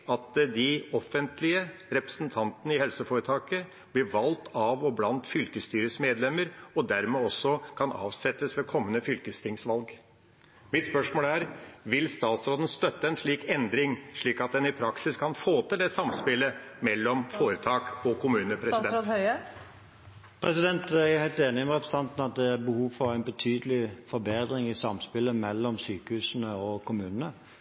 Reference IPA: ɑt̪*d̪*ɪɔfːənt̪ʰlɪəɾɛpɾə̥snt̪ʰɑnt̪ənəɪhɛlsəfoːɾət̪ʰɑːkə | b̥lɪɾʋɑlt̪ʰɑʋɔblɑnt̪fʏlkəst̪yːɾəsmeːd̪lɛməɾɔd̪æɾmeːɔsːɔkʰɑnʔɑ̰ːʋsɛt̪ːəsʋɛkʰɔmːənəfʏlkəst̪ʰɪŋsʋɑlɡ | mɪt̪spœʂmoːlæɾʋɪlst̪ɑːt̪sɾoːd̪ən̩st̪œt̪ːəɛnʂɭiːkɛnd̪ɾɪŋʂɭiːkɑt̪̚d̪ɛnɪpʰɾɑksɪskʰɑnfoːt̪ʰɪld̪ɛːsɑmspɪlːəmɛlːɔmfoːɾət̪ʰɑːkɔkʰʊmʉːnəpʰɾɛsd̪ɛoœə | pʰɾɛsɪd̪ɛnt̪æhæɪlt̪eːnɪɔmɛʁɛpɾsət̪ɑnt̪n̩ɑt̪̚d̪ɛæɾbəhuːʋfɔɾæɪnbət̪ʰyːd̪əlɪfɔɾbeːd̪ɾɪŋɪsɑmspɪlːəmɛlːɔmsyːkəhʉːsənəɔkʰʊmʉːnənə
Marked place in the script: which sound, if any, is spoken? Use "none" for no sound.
d̪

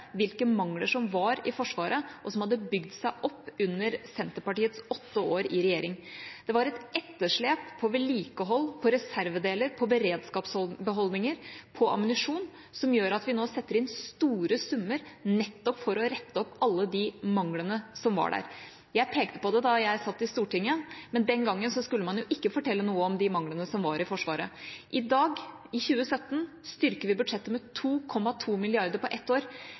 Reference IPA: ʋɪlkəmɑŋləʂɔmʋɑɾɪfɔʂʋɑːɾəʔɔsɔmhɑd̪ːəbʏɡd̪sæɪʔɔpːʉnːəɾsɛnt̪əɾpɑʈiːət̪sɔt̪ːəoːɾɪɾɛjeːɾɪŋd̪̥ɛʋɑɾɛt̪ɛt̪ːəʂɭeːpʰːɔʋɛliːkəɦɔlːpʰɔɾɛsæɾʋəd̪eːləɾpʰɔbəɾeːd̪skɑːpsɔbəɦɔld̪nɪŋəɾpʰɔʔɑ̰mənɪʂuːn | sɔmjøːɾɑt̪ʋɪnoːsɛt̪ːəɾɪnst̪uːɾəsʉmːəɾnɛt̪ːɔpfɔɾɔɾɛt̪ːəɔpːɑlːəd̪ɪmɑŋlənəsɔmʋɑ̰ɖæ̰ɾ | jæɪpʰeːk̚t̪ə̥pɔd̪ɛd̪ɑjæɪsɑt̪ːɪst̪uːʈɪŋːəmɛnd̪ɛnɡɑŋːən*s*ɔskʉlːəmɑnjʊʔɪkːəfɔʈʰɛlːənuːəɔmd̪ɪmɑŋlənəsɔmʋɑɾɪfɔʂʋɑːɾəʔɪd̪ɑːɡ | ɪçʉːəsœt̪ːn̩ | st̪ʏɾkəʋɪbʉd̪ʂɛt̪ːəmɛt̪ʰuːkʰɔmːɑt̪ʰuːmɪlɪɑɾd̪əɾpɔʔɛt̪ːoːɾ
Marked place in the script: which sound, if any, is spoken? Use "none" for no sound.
s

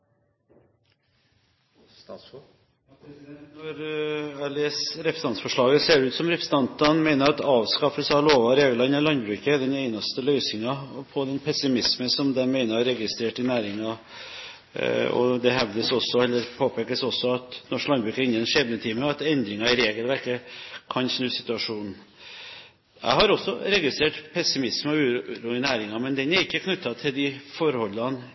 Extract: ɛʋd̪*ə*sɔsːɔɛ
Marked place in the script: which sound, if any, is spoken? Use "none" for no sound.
ə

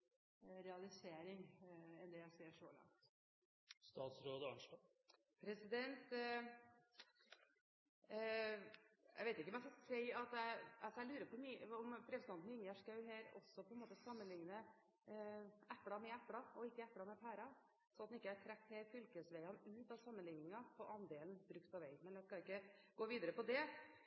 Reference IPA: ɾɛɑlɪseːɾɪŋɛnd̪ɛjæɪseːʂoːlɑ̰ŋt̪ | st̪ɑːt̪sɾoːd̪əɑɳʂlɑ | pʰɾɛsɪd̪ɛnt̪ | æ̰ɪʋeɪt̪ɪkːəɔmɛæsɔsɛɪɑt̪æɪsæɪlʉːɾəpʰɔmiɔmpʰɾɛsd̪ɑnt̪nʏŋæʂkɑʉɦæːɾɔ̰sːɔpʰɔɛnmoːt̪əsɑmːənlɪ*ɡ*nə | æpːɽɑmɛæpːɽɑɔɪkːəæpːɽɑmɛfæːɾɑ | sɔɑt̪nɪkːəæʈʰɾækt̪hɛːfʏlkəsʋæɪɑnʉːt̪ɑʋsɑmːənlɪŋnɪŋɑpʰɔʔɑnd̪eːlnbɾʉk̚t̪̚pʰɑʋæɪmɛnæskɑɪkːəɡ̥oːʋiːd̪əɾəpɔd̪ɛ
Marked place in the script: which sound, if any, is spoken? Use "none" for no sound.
ŋ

